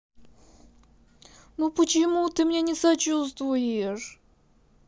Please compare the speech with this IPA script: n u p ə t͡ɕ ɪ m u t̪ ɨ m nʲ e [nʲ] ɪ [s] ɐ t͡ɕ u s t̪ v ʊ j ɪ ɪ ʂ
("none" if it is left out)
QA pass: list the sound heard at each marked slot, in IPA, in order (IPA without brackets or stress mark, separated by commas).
nʲ, s